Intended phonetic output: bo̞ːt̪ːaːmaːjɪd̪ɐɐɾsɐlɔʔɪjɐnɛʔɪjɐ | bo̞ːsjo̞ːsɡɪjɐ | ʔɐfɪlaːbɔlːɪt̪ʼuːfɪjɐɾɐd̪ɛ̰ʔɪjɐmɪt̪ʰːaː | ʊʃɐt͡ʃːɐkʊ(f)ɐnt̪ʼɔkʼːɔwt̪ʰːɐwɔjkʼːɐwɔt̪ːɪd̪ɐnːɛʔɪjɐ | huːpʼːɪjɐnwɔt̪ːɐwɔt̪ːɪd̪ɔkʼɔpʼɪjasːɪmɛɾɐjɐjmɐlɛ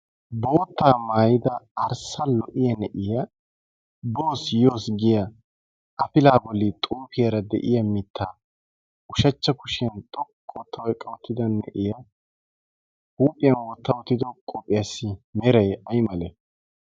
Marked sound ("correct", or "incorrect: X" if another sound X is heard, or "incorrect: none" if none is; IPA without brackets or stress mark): incorrect: ʃ